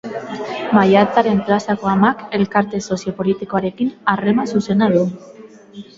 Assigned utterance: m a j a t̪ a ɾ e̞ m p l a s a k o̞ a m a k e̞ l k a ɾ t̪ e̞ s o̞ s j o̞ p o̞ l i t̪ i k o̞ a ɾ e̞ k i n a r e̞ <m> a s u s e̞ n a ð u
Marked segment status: correct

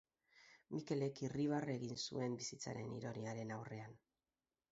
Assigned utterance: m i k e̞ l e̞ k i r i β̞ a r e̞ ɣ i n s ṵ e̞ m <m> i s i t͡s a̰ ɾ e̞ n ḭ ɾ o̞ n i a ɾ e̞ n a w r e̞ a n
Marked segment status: incorrect: b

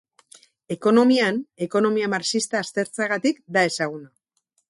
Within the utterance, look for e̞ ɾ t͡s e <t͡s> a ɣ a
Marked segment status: incorrect: none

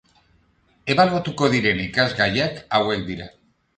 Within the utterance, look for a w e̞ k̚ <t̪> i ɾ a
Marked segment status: incorrect: d̪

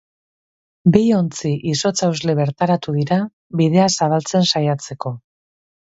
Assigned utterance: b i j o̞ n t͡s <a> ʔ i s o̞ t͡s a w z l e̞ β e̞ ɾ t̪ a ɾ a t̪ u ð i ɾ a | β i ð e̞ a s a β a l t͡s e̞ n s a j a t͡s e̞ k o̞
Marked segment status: incorrect: i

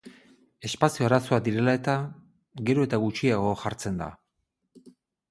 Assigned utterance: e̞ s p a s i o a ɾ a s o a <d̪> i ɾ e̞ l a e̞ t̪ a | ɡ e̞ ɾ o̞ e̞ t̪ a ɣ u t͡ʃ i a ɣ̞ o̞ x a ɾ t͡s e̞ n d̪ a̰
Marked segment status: correct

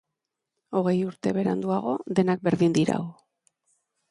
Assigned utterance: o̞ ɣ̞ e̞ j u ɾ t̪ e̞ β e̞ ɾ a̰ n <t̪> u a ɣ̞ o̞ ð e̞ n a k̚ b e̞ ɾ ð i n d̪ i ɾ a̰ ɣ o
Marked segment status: incorrect: d̪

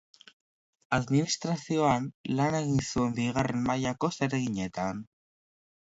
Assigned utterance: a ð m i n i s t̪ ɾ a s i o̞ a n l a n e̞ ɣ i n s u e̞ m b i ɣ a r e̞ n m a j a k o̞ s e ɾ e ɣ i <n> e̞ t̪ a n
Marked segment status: incorrect: ɲ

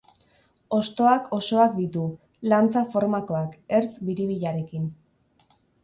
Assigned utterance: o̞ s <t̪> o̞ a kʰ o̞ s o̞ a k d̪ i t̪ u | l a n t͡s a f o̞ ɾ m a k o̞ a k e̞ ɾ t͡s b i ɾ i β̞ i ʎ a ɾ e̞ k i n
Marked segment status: correct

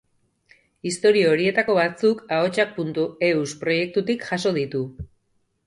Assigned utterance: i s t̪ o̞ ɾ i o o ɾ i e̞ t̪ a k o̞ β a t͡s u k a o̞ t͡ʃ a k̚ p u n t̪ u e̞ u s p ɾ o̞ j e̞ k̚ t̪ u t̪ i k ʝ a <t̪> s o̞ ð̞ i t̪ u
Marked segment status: incorrect: none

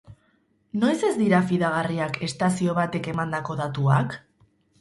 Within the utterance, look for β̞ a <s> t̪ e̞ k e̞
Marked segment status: incorrect: none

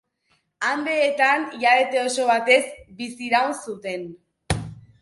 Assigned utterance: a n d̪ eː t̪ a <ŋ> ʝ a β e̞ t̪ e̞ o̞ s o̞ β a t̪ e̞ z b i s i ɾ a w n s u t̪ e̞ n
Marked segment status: incorrect: n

